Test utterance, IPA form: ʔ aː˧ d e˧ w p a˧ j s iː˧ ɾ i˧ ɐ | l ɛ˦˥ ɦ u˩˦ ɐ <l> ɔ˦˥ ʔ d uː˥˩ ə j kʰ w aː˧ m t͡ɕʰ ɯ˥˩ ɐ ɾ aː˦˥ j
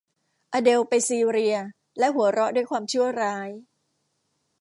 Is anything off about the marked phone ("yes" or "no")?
yes